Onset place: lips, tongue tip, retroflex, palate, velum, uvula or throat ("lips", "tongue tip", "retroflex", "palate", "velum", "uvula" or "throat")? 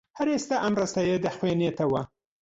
throat